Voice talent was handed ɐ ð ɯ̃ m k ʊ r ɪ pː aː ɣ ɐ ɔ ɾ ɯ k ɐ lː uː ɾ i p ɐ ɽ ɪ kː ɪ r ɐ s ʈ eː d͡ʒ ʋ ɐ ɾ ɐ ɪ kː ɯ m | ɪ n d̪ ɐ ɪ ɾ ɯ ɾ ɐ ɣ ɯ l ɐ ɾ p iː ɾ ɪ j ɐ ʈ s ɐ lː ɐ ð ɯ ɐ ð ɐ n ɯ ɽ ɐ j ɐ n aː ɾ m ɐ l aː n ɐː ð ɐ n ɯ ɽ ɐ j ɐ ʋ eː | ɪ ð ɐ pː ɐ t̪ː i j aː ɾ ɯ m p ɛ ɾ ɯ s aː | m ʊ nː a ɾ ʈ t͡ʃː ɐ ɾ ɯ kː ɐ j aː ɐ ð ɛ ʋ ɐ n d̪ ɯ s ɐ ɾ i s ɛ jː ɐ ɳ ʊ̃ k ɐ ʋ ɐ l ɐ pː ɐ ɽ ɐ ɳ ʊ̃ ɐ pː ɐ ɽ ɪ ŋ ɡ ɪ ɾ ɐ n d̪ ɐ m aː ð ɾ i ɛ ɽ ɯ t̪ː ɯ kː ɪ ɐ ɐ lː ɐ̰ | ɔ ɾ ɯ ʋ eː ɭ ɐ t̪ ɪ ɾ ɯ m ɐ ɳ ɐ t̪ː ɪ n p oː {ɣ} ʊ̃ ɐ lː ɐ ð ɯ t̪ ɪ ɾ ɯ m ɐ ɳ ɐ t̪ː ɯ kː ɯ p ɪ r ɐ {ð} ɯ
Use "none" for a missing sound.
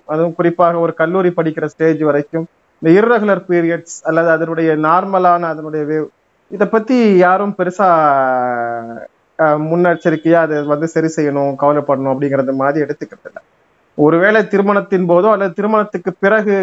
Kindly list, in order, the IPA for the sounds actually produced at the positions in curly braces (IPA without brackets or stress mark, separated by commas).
ð, ɣ